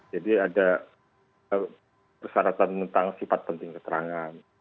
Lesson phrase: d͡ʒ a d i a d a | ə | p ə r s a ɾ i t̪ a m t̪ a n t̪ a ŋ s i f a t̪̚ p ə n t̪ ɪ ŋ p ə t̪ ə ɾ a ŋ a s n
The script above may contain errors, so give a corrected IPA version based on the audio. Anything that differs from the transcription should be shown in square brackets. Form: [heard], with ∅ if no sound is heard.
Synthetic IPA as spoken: d͡ʒ a d i a d a | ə | p ə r s a ɾ [a] t̪ a [n] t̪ [ə] n t̪ a ŋ s i f a t̪̚ p ə n t̪ ɪ ŋ [k] ə t̪ ə ɾ a ŋ a [∅] n